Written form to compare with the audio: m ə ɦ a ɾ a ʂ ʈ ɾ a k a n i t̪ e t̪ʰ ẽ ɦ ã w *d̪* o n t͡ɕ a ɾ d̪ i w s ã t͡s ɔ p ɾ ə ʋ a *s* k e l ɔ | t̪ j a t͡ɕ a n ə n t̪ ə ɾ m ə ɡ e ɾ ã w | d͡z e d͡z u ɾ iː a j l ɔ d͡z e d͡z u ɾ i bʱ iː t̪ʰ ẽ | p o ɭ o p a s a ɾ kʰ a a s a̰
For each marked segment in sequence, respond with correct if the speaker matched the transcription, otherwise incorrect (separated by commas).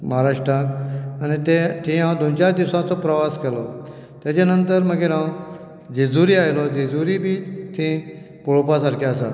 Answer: correct, correct